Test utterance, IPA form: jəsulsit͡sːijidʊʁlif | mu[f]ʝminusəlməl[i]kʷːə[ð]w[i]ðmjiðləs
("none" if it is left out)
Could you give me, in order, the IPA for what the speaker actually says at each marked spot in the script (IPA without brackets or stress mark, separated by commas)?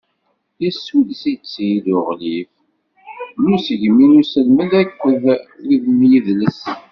s, æ, ð, i